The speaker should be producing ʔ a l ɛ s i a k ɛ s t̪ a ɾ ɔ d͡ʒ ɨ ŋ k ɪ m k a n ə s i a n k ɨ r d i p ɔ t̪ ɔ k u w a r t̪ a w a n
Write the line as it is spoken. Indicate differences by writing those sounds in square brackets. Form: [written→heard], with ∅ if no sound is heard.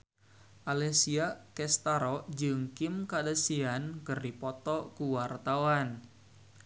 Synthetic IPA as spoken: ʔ a l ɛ s i a k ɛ s t̪ a ɾ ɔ d͡ʒ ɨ ŋ k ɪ m k a [n→d] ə s i a n k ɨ r d i p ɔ t̪ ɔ k u w a r t̪ a w a n